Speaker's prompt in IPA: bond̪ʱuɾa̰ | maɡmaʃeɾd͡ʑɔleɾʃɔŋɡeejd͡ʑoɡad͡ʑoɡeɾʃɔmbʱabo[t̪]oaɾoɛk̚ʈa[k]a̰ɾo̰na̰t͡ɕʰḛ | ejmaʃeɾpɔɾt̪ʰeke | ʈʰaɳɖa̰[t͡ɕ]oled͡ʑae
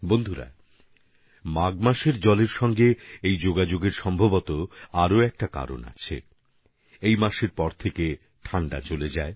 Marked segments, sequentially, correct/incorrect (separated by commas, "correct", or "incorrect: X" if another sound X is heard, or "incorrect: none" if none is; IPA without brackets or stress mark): correct, correct, correct